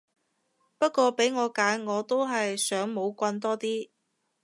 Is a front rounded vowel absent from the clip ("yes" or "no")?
no